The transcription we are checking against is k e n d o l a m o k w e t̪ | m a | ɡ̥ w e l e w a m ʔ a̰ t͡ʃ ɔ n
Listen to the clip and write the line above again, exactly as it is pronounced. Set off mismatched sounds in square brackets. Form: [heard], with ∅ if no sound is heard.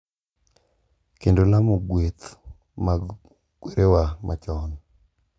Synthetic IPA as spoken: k e n d o l a m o [ɡ] w e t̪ | m a | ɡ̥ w e [ɾ] e w a m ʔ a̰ t͡ʃ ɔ n

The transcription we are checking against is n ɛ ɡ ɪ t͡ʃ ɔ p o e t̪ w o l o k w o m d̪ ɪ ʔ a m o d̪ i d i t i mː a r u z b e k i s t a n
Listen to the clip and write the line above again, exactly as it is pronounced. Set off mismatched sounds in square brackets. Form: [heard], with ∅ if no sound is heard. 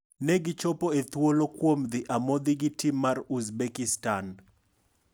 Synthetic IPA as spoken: n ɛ ɡ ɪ t͡ʃ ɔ p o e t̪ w o l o k w o m d̪ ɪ ʔ a m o d̪ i [ɡ] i t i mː a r u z b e k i s t a n

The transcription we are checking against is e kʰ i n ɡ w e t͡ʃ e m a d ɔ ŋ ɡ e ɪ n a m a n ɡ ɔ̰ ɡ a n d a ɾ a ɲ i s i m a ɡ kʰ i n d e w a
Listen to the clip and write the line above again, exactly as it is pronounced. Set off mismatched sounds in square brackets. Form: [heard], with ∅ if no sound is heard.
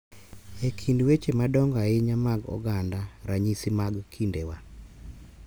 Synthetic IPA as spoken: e kʰ i n [d] w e t͡ʃ e m a d ɔ ŋ ɡ [a] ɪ [ɲ] a m a [∅] ɡ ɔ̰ ɡ a n d a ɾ a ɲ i s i m a ɡ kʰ i n d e w a

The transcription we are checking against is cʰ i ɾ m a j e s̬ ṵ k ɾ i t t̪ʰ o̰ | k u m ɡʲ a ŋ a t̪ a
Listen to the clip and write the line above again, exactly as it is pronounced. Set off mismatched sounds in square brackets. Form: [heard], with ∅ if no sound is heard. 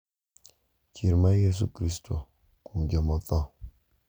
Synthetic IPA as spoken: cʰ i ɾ m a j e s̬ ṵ k ɾ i [s] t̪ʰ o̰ | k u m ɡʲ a [m] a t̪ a

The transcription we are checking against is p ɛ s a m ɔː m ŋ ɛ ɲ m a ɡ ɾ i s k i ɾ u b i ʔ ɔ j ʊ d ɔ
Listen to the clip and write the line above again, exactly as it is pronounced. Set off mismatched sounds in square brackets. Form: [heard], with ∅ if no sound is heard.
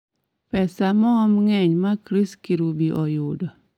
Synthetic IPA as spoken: p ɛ s a m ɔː m ŋ ɛ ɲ m a [k] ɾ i s k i ɾ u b i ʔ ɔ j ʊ d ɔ

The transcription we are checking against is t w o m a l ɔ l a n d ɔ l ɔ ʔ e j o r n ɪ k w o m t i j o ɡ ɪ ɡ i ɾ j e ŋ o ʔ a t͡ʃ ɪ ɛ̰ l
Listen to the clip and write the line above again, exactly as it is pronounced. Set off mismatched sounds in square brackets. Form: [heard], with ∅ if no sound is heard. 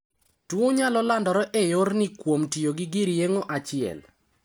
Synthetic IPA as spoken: t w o [ɲ] a l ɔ l a n d ɔ [ɾ] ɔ ʔ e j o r n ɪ k w o m t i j o ɡ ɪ ɡ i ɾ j e ŋ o ʔ a t͡ʃ ɪ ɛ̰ l

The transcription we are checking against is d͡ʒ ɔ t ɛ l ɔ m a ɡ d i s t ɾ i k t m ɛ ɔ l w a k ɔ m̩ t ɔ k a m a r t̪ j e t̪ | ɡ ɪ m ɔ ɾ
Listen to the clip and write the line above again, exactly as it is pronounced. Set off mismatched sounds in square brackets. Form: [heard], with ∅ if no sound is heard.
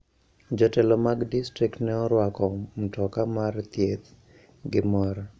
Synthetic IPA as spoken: d͡ʒ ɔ t ɛ l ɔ m a ɡ d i s t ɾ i k t [n] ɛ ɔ [ɾ] w a k ɔ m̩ t ɔ k a m a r t̪ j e t̪ | ɡ ɪ m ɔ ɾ

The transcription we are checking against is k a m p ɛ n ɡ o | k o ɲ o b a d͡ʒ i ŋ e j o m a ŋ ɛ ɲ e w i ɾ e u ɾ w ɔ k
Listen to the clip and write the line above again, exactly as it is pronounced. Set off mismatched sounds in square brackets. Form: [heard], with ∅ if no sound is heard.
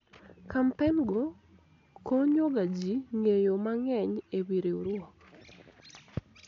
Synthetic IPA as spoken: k a m p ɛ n ɡ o | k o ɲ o [ɡ] a d͡ʒ i ŋ e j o m a ŋ ɛ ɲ e w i ɾ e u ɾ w ɔ k

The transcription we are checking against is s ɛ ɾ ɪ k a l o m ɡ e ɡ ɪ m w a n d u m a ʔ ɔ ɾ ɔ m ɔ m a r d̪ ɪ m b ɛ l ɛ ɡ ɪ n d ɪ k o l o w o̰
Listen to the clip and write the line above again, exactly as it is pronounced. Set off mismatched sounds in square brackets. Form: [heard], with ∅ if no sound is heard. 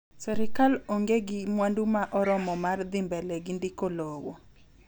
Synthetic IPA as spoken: s ɛ ɾ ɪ k a l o [ŋ] ɡ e ɡ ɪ m w a n d u m a ʔ ɔ ɾ ɔ m ɔ m a r d̪ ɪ m b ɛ l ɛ ɡ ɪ n d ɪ k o l o w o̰

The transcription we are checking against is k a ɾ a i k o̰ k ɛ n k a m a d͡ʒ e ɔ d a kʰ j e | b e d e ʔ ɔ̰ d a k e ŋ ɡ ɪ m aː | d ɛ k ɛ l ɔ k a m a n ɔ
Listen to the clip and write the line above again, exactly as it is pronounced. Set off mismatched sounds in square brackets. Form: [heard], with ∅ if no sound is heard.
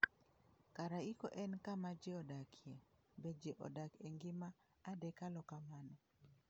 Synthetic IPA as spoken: k a ɾ a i k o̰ [ʔ] ɛ n k a m a d͡ʒ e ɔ d a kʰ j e | b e [d͡ʒ] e ʔ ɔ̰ d a k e ŋ ɡ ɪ m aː | d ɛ k [a] l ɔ k a m a n ɔ

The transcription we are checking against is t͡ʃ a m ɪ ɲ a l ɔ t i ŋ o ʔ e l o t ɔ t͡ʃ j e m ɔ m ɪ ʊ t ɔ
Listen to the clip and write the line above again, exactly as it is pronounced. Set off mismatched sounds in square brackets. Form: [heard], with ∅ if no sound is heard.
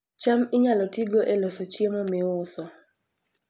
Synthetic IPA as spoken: t͡ʃ a m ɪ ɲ a l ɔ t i [ɡ] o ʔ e l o [s] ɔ t͡ʃ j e m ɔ m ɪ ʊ [s] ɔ

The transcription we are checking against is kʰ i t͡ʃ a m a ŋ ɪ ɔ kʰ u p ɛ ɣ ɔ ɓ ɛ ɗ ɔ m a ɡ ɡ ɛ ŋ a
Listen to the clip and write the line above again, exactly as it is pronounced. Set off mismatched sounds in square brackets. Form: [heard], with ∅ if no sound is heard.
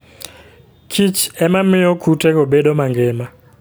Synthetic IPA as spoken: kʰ i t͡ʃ [ɛ] m a [m] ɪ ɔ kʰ u [t] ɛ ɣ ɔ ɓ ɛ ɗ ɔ m a [ŋ] ɡ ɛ [m] a

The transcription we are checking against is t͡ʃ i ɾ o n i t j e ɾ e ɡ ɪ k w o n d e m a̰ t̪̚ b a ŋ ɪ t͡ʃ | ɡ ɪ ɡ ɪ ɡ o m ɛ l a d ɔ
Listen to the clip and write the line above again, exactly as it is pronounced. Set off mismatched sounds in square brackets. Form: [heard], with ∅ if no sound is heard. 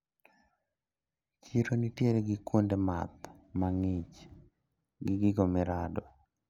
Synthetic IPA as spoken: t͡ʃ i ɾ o n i t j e ɾ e ɡ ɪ k w o n d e m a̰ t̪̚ [m] a ŋ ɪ t͡ʃ | ɡ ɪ ɡ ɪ ɡ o m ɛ [ɾ] a d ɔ

